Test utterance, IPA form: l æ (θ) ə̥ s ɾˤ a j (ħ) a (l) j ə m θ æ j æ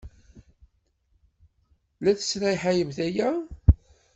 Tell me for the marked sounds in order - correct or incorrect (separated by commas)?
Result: correct, correct, incorrect